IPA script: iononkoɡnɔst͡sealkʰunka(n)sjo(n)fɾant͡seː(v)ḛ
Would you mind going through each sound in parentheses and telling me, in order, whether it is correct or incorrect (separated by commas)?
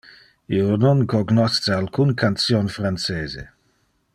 correct, correct, incorrect